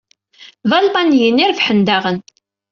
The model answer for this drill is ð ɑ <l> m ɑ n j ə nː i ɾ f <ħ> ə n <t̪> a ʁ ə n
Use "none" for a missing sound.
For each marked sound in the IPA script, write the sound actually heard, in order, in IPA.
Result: l, ħ, d̪

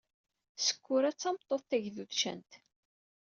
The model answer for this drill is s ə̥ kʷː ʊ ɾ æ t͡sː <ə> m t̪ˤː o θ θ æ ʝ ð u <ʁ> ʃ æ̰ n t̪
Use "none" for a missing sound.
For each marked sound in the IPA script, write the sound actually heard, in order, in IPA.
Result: ɑ, ð

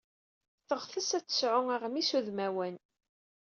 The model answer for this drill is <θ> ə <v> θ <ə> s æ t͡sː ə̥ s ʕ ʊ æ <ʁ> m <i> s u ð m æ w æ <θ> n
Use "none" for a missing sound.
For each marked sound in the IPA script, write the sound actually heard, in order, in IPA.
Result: θ, ʁ, ə, ʁ, i, none

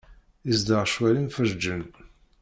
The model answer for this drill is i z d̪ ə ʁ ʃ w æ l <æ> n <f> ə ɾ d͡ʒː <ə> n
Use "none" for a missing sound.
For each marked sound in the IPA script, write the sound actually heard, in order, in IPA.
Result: i, f, ə

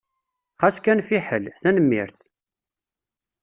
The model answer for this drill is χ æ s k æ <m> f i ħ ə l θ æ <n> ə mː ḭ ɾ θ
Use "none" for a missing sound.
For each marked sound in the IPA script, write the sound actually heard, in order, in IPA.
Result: n, n

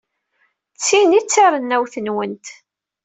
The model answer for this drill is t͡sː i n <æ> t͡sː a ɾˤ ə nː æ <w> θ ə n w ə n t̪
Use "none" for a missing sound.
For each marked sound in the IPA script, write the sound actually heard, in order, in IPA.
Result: i, w

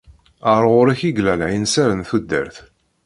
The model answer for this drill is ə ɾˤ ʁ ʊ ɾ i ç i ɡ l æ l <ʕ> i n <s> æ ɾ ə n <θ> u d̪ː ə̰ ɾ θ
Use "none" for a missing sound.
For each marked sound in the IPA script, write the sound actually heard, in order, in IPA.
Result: ʕ, s, θ

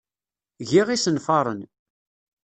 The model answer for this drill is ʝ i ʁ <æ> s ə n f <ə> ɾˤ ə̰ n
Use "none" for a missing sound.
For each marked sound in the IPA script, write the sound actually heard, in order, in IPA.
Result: i, ɑ

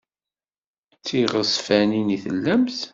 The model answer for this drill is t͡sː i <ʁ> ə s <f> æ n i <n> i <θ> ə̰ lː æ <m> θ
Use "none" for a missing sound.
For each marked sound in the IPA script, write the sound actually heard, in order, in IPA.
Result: ʁ, f, n, θ, m

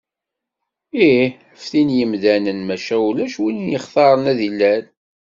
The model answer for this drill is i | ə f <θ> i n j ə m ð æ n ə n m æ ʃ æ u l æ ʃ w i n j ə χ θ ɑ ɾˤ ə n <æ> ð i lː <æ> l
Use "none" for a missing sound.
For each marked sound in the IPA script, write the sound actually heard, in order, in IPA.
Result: θ, æ, æ

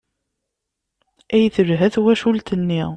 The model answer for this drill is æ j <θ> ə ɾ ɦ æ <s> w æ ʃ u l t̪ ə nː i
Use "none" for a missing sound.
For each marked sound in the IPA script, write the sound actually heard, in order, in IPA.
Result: θ, θ

